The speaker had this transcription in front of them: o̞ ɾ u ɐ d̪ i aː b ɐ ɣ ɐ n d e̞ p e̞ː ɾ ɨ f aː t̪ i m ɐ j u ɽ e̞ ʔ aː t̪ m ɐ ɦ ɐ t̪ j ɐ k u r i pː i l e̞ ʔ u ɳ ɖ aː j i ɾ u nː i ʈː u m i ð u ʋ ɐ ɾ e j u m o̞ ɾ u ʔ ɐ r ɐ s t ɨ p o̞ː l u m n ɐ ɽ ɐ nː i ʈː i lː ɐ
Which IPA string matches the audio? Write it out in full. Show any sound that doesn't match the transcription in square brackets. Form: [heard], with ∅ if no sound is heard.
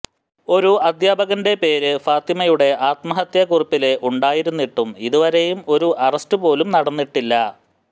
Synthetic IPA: o̞ ɾ u ɐ d̪ [j] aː b ɐ ɣ ɐ n d e̞ p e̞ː ɾ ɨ f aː t̪ i m ɐ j u ɽ e̞ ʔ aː t̪ m ɐ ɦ ɐ t̪ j ɐ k u r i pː i l e̞ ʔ u ɳ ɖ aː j i ɾ u nː i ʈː u m i ð u ʋ ɐ ɾ e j u m o̞ ɾ u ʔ ɐ r ɐ s t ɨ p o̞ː l u m n ɐ ɽ ɐ nː i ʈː i lː ɐ